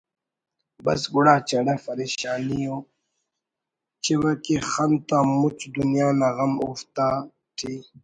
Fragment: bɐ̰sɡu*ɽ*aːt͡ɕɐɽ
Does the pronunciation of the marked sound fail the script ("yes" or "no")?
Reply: no